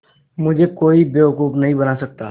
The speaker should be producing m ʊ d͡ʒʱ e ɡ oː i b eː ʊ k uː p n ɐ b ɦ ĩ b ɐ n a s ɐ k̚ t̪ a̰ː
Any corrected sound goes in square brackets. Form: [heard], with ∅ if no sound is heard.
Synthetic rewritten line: m ʊ d͡ʒʱ e [k] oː i b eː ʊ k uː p n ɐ [∅] ɦ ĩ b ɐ n a s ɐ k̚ t̪ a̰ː